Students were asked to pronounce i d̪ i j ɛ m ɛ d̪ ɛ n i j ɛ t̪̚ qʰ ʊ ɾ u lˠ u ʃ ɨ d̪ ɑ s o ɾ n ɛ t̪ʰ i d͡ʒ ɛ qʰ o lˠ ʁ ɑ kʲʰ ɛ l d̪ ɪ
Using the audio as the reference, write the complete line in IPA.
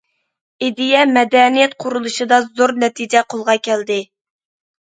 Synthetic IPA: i d̪ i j ɛ m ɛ d̪ ɛ n i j ɛ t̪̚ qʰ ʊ ɾ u lˠ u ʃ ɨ d̪ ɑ z o ɾ n ɛ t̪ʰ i d͡ʒ ɛ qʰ o lˠ ʁ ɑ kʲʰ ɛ l d̪ ɪ

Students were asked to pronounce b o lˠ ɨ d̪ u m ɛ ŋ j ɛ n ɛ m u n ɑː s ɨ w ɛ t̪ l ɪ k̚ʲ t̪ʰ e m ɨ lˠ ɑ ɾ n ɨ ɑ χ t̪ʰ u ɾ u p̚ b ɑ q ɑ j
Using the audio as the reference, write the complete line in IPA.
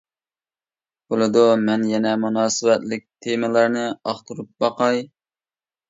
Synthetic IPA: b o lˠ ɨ d̪ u m ɛ n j ɛ n ɛ m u n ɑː s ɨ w ɛ t̪ l ɪ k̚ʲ t̪ʰ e m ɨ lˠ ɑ ɾ n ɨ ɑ χ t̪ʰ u ɾ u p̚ b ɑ q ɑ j

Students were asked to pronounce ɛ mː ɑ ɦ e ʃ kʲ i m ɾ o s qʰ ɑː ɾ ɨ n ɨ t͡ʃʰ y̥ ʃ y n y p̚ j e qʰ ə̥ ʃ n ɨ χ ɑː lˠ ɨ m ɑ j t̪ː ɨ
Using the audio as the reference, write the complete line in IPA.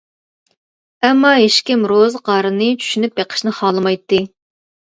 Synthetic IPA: ɛ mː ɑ ɦ e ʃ kʲ i m ɾ o z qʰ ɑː ɾ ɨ n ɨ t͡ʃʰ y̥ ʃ y n y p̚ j e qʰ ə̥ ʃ n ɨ χ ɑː lˠ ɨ m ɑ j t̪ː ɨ

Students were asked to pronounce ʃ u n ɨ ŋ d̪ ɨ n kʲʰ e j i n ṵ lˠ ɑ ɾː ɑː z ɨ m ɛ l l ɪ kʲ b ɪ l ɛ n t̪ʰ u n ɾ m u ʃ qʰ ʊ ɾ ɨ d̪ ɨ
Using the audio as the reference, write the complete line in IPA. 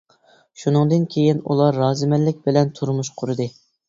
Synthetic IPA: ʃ u n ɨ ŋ d̪ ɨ n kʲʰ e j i n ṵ lˠ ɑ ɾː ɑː z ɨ m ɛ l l ɪ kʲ b ɪ l ɛ n t̪ʰ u ɾ m u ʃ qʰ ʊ ɾ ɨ d̪ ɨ

